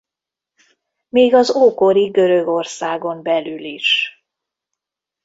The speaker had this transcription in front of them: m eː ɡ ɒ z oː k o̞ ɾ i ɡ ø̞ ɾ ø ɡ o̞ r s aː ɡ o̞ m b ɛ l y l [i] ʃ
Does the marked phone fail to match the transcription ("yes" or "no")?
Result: no